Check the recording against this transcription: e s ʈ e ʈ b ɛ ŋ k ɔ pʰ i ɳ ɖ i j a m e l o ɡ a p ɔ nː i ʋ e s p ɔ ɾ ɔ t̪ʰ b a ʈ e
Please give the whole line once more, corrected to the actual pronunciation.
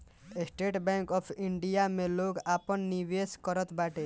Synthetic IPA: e s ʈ e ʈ b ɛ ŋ k ɔ pʰ i ɳ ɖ i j a m e l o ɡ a p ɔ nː i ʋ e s k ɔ ɾ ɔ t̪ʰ b a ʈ e